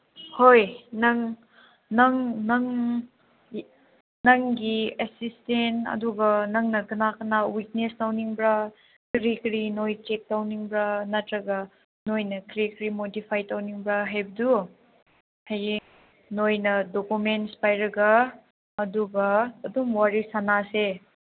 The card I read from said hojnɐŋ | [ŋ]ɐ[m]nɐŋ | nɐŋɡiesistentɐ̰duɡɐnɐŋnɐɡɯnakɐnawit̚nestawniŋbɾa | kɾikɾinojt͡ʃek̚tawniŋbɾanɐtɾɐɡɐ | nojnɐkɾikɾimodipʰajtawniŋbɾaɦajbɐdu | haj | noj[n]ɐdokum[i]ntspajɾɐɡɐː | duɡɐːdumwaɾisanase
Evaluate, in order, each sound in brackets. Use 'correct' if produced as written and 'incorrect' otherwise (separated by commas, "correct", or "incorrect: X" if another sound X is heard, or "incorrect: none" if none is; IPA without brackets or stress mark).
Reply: incorrect: n, incorrect: ŋ, correct, incorrect: e